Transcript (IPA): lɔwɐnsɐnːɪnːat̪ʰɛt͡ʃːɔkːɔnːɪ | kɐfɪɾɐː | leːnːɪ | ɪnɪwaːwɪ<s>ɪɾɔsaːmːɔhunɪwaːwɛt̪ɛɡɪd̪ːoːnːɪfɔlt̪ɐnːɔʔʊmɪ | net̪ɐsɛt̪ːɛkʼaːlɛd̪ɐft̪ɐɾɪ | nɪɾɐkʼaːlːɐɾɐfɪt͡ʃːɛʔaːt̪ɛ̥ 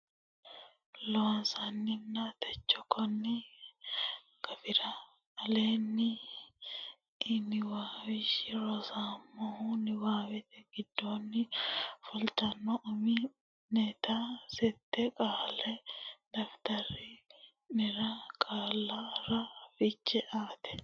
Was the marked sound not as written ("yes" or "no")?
yes